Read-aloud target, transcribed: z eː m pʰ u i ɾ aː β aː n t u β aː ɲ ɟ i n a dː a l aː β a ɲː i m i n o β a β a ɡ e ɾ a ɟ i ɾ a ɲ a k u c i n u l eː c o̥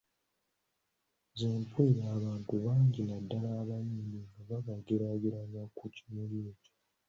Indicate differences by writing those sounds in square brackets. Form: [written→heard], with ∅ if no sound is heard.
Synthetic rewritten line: z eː m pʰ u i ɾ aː β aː n t u β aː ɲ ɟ i n a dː a l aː β a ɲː i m i n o β a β a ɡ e ɾ a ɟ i ɾ a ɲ a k u c i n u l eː c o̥